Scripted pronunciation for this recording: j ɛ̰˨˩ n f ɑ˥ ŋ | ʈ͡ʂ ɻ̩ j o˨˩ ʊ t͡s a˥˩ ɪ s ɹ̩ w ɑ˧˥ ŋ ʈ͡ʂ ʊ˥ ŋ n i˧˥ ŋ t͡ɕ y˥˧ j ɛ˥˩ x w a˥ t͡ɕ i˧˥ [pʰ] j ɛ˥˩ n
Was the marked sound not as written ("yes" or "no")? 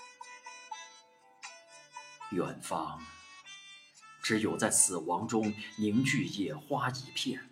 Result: no